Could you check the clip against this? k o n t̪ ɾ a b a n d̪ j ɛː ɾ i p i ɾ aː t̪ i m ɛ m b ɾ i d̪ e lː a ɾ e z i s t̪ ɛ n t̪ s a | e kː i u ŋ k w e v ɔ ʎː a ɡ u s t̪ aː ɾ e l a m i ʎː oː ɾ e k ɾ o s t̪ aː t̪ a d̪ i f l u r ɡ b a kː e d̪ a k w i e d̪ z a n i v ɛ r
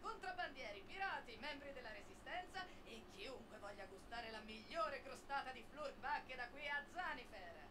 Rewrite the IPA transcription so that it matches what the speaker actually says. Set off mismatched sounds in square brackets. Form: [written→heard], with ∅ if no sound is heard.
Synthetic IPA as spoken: k o n t̪ ɾ a b a n d̪ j ɛː ɾ i p i ɾ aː t̪ i m ɛ m b ɾ i d̪ e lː a ɾ e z i s t̪ ɛ n t̪ s a | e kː i u ŋ k w e v ɔ ʎː a ɡ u s t̪ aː ɾ e l a m i ʎː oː ɾ e k ɾ o s t̪ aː t̪ a d̪ i f l u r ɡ b a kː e d̪ a k w i [e→a] d̪ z a n i [v→f] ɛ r

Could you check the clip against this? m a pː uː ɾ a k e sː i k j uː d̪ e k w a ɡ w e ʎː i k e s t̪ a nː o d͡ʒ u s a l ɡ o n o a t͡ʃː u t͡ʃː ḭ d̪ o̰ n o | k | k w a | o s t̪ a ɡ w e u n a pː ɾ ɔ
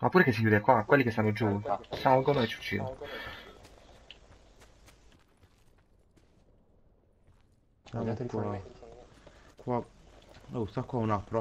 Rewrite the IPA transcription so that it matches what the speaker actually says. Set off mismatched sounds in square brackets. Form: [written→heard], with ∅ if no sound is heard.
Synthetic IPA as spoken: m a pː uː ɾ [a→e] k e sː i k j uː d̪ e k w a [ɡ→k] w e [ʎː→lː] i k e s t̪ a nː o d͡ʒ u s a l ɡ o n o [a→e] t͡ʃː u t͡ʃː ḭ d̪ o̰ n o | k | k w a | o s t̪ a [ɡ→k] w [e→a] u n a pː ɾ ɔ

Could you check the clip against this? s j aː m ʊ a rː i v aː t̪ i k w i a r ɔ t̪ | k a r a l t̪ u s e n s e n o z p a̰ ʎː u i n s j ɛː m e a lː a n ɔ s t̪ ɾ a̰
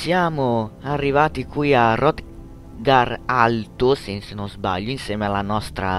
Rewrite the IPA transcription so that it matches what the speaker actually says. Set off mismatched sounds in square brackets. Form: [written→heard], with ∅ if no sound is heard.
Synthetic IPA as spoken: s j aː m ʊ a rː i v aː t̪ i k w i a r ɔ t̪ | [k→ɡ] a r a l t̪ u s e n s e n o z [p→b] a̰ ʎː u i n s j ɛː m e a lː a n ɔ s t̪ ɾ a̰

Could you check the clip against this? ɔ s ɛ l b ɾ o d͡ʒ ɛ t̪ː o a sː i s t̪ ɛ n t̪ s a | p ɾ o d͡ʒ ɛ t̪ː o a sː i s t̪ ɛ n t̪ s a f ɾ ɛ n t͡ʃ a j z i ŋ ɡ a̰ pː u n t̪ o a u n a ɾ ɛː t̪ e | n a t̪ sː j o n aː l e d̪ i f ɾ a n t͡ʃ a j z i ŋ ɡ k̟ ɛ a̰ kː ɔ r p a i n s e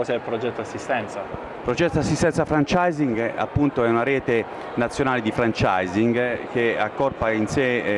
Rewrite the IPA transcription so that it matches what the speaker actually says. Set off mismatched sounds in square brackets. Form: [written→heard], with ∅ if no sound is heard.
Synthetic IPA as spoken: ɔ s ɛ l [b→p] ɾ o d͡ʒ ɛ t̪ː o a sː i s t̪ ɛ n t̪ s a | p ɾ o d͡ʒ ɛ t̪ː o a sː i s t̪ ɛ n t̪ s a f ɾ [ɛ→a] n t͡ʃ a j z i ŋ ɡ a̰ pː u n t̪ o [a→ɛ] u n a ɾ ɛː t̪ e | n a t̪ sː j o n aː l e d̪ i f ɾ a n t͡ʃ a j z i ŋ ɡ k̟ [ɛ→e] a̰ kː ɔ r p a i n s e

